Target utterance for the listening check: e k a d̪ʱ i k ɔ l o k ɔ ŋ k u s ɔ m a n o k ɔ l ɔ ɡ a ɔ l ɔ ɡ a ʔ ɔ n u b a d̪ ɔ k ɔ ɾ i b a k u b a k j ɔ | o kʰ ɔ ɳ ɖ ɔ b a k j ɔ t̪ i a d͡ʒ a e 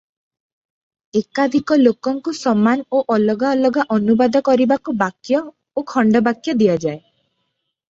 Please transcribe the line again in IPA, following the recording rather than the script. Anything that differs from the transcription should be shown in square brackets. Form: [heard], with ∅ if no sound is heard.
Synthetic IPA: e k a d̪ʱ i k ɔ l o k ɔ ŋ k u s ɔ m a n o [ʔ] ɔ l ɔ ɡ a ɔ l ɔ ɡ a ʔ ɔ n u b a d̪ ɔ k ɔ ɾ i b a k u b a k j ɔ | o kʰ ɔ ɳ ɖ ɔ b a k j ɔ [d̪] i a d͡ʒ a e

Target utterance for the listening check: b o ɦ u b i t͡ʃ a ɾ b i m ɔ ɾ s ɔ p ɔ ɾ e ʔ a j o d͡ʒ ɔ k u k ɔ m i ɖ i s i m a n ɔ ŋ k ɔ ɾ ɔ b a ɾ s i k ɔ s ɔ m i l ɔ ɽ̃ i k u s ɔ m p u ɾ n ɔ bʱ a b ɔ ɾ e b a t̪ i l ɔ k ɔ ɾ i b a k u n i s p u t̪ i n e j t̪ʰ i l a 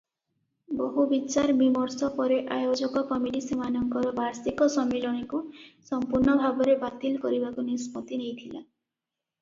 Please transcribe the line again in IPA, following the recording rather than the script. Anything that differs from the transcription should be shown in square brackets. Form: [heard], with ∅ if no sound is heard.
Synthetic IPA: b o ɦ u b i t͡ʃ a ɾ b i m ɔ ɾ s ɔ p ɔ ɾ e ʔ a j o d͡ʒ ɔ k [ɔ] k ɔ m i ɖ i s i m a n ɔ ŋ k ɔ ɾ ɔ b a ɾ s i k ɔ s ɔ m i l ɔ ɽ̃ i k u s ɔ m p u ɾ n ɔ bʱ a b ɔ ɾ e b a t̪ i l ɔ k ɔ ɾ i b a k u n i s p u t̪ i n e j t̪ʰ i l a

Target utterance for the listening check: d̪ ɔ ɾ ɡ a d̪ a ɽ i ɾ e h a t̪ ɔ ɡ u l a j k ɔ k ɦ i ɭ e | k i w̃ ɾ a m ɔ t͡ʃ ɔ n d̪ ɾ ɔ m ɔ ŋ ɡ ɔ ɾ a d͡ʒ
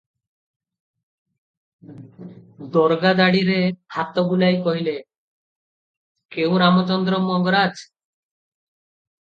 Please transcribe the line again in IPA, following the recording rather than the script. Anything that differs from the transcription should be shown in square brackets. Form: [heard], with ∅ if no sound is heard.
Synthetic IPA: d̪ ɔ ɾ ɡ a d̪ a ɽ i ɾ e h a t̪ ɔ ɡ u l a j k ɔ [∅] ɦ i [l] e | k [e] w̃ ɾ a m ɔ t͡ʃ ɔ n d̪ ɾ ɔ m ɔ ŋ ɡ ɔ ɾ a d͡ʒ

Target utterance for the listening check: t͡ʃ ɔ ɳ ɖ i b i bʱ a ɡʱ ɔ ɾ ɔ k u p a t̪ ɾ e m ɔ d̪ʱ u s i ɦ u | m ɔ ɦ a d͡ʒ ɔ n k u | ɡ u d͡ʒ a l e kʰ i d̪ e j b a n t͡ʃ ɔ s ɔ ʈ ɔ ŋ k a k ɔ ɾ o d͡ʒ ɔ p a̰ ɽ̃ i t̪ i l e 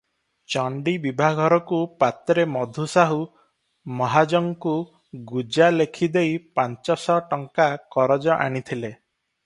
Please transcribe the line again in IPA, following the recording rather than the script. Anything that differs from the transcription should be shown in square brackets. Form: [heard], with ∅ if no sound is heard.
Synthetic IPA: t͡ʃ ɔ ɳ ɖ i b i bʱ a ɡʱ ɔ ɾ ɔ k u p a t̪ ɾ e m ɔ d̪ʱ u s [a] ɦ u | m ɔ ɦ a d͡ʒ ɔ [ŋ] k u | ɡ u d͡ʒ a l e kʰ i d̪ e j [p] a n t͡ʃ ɔ s ɔ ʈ ɔ ŋ k a k ɔ ɾ [ɔ] d͡ʒ ɔ [ʔ] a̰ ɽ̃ i [t̪ʰ] i l e

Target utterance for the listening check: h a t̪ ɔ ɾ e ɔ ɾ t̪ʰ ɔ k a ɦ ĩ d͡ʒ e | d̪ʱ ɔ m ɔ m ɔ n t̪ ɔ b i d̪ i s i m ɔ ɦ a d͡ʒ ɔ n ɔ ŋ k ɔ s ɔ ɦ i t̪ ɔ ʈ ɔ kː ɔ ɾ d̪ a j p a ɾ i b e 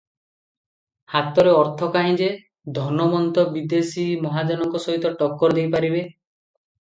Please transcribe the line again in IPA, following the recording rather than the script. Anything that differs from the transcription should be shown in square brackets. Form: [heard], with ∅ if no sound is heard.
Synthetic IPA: h a t̪ ɔ ɾ e ɔ ɾ t̪ʰ ɔ k a ɦ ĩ d͡ʒ e | d̪ʱ ɔ [n] ɔ m ɔ n t̪ ɔ b i d̪ [e] s i m ɔ ɦ a d͡ʒ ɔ n ɔ ŋ k ɔ s ɔ ɦ i t̪ ɔ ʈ ɔ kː ɔ ɾ d̪ [e] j p a ɾ i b e

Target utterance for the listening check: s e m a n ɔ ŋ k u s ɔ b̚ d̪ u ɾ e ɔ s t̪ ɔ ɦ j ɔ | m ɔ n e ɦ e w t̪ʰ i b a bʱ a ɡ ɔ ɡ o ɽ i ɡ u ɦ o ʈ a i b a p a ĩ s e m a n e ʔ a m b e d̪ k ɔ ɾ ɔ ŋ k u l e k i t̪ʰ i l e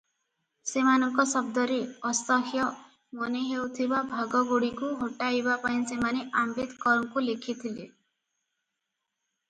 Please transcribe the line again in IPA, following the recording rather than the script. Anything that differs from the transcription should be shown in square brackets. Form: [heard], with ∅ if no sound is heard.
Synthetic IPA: s e m a n ɔ ŋ k [ɔ] s ɔ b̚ d̪ [ɔ] ɾ e ɔ s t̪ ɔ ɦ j ɔ | m ɔ n e ɦ e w t̪ʰ i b a bʱ a ɡ ɔ ɡ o ɽ i [k] u ɦ o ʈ a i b a p a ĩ s e m a n e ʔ a m b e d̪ k ɔ ɾ ɔ ŋ k u l e [kʰ] i t̪ʰ i l e

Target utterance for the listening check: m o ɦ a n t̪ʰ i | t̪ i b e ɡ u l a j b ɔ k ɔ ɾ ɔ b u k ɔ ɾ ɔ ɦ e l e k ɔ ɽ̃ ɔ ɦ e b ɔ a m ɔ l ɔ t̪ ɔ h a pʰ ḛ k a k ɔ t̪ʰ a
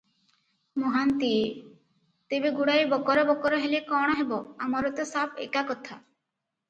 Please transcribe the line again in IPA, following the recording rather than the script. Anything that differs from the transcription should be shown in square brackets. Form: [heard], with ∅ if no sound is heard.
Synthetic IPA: m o ɦ a n [t̪] i | t̪ [e] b e ɡ u [ɽ] a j b ɔ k ɔ ɾ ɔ b [ɔ] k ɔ ɾ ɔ ɦ e l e k ɔ ɽ̃ ɔ ɦ e b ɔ a m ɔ [ɾ] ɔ t̪ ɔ [s] a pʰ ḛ k a k ɔ t̪ʰ a

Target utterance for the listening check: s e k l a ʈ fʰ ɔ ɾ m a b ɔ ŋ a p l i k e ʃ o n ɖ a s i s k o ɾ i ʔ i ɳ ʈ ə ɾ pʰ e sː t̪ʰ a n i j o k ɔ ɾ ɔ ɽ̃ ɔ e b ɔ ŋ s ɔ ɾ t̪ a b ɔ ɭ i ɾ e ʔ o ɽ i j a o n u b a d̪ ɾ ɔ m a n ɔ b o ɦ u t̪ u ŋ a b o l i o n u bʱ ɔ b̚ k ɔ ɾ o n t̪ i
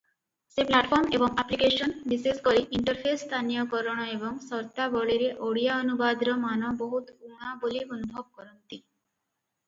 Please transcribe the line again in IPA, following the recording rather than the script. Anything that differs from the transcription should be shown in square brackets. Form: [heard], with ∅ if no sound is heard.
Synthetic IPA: s e [p] l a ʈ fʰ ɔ ɾ m [e] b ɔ ŋ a p l i k e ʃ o n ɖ [i] s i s k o ɾ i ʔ i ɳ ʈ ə ɾ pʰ e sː t̪ʰ a n i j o k ɔ ɾ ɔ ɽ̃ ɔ e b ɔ ŋ s ɔ ɾ t̪ a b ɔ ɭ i ɾ e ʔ o ɽ i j a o n u b a d̪ ɾ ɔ m a n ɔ b o ɦ u t̪ u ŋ a b o l i o n u bʱ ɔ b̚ k ɔ ɾ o n t̪ i

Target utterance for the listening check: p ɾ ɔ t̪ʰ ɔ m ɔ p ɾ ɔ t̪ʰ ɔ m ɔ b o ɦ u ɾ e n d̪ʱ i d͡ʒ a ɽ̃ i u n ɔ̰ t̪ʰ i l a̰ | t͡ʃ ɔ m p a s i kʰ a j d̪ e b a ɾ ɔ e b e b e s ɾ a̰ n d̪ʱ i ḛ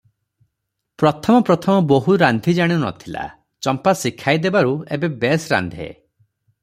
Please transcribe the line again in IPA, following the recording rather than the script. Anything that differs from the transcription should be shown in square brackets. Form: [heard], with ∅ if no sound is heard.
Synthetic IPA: p ɾ ɔ t̪ʰ ɔ m ɔ p ɾ ɔ t̪ʰ ɔ m ɔ b o ɦ u ɾ [a] n d̪ʱ i d͡ʒ a ɽ̃ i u n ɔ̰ t̪ʰ i l a̰ | t͡ʃ ɔ m p a s i kʰ a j d̪ e b a ɾ [u] e b e b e s ɾ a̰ n d̪ʱ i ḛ

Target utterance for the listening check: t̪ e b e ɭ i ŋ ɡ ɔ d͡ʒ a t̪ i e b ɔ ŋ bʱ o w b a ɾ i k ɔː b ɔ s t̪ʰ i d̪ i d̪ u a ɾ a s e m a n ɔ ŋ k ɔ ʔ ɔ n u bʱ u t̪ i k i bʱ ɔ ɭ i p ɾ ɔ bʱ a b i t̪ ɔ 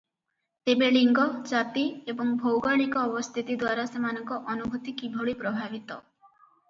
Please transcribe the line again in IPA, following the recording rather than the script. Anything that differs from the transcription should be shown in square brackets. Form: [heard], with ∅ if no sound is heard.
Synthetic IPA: t̪ e b e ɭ i ŋ ɡ ɔ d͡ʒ a t̪ i e b ɔ ŋ bʱ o w [ɡ] a [ɭ] i k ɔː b ɔ s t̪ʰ i [t̪] i d̪ [w] a ɾ a s e m a n ɔ ŋ k ɔ ʔ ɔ n u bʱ u t̪ i k i bʱ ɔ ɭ i p ɾ ɔ bʱ a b i t̪ ɔ

